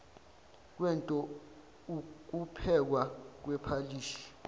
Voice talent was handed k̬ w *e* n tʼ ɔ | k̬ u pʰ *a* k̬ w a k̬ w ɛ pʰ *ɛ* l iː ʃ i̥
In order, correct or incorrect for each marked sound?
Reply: incorrect: ɛ, incorrect: ɛ, incorrect: a

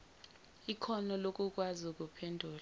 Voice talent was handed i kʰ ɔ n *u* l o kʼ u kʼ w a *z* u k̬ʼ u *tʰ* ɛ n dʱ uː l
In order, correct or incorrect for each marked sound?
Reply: incorrect: ɔ, correct, incorrect: pʰ

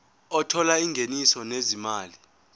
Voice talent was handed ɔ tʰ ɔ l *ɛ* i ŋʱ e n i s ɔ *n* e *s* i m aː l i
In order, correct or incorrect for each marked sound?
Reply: incorrect: a, correct, incorrect: z

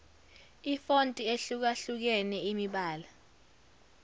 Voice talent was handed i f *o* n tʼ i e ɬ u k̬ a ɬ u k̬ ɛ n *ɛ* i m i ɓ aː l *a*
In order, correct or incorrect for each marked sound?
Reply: correct, correct, correct

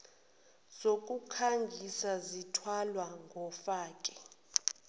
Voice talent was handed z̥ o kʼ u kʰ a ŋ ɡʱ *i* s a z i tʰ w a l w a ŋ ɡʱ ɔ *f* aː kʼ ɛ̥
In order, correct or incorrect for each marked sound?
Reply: correct, correct

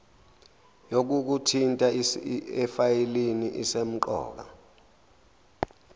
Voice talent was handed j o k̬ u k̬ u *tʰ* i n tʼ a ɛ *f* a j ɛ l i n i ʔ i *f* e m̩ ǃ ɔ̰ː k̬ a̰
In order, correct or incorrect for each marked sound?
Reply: correct, correct, incorrect: s

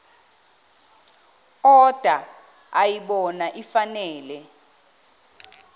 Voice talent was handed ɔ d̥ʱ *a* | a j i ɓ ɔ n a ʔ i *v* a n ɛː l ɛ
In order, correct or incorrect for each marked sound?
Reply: correct, incorrect: f

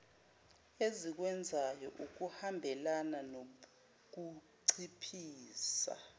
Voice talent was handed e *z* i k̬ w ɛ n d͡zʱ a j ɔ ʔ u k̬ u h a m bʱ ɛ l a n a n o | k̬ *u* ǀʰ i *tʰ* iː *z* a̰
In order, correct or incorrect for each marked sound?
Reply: correct, correct, incorrect: pʰ, incorrect: s

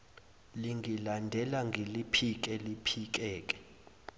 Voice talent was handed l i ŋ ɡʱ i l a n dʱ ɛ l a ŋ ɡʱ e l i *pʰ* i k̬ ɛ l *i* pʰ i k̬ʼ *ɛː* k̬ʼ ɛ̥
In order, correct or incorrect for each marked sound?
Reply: correct, correct, correct

